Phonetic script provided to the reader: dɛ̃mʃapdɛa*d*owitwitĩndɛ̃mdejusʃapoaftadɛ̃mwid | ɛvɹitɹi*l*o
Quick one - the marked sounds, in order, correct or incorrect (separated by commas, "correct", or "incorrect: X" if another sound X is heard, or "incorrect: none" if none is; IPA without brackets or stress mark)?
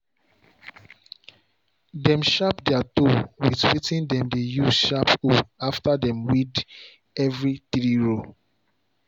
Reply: incorrect: t, incorrect: ɹ